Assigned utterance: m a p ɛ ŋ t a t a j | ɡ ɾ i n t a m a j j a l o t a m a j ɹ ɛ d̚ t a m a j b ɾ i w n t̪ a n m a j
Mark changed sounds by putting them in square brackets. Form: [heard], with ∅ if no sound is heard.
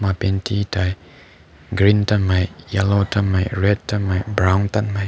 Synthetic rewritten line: m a p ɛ [n] t [i] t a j | ɡ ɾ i n t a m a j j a l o t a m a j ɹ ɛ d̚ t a m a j b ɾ [a] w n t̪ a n m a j